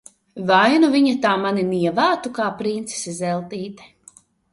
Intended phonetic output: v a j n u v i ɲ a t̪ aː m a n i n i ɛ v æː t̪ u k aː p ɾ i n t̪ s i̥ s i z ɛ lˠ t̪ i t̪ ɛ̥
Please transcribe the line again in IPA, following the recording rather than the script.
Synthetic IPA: v a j n u v i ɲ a t̪ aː m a n i n i ɛ v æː t̪ u k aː p ɾ i n t̪ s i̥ s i z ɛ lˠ t̪ iː t̪ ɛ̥

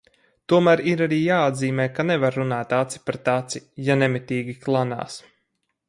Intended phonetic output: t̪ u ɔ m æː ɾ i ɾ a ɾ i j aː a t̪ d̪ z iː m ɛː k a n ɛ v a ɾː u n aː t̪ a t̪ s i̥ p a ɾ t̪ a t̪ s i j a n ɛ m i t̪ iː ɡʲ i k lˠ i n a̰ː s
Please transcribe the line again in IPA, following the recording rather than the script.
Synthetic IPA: t̪ u ɔ m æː ɾ i ɾ a ɾ iː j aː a d̪ z iː m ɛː k a n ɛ v a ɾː u n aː t̪ a t̪ s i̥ p a ɾ t̪ a t̪ s i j a n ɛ m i t̪ iː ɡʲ i k lˠ a n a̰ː s

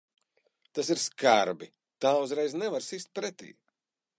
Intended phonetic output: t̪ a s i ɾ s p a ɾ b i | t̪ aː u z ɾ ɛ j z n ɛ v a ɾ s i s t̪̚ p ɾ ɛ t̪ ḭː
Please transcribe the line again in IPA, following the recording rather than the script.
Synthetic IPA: t̪ a s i ɾ s k a ɾ b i | t̪ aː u z ɾ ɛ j z n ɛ v a ɾ s i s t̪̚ p ɾ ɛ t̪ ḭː

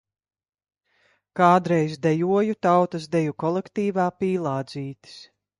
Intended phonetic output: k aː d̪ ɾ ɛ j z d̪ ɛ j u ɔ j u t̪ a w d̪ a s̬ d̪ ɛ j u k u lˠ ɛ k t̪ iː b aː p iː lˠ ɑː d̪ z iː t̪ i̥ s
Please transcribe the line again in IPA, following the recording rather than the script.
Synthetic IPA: k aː d̪ ɾ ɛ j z d̪ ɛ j u ɔ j u t̪ a w t̪ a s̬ d̪ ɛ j u k ɔ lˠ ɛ k t̪ iː v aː p iː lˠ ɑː d̪ z iː t̪ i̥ s

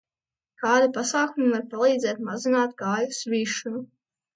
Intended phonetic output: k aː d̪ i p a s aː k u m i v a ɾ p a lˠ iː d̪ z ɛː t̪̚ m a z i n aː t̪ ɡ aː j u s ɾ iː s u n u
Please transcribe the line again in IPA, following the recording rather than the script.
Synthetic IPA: k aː d̪ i p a s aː k u m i v a ɾ p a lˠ iː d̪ z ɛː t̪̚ m a z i n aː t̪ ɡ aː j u s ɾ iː ʃ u n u

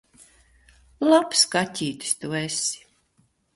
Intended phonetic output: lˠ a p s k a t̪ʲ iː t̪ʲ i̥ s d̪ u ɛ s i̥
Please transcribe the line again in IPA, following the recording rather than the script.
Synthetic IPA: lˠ a p s k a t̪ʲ iː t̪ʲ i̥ s t̪ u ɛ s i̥

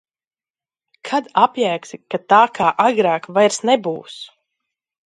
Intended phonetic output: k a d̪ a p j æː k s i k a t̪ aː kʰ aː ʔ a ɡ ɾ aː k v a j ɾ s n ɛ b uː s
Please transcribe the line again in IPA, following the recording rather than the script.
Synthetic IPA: kʰ a d̪ a p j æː k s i k a t̪ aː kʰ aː ʔ a ɡ ɾ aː k v a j ɾ s n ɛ b uː s

